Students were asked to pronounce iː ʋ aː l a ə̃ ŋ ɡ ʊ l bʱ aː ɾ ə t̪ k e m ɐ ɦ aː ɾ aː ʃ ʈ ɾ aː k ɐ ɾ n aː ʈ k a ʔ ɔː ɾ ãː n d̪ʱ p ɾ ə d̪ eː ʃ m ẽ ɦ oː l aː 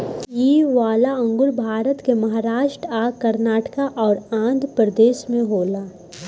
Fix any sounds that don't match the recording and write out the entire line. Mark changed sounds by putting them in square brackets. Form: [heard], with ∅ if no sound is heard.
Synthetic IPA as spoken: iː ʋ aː l a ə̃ ŋ ɡ ʊ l bʱ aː ɾ ə t̪ k e m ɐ ɦ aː ɾ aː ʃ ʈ ɾ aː k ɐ ɾ n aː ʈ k a ʔ ɔː ɾ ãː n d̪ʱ p ɾ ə d̪ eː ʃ m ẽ ɦ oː l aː